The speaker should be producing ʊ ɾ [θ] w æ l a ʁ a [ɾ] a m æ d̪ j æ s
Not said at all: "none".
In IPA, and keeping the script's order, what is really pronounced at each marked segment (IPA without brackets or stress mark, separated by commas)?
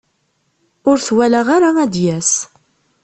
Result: θ, ɾ